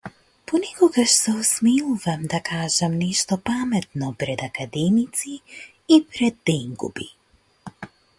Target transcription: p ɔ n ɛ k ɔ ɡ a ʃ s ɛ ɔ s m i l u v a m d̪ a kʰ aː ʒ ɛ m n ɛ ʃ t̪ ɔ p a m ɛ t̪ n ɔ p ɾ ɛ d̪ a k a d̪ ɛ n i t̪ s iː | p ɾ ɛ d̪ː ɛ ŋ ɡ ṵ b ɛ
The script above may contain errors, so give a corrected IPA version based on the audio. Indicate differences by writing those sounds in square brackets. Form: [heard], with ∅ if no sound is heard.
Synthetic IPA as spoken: p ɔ n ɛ k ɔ ɡ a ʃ s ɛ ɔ s m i l u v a m d̪ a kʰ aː ʒ ɛ m n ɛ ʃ t̪ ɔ p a m ɛ t̪ n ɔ p ɾ ɛ d̪ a k a d̪ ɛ [m] i t̪ s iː | p ɾ ɛ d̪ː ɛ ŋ ɡ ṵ b [i]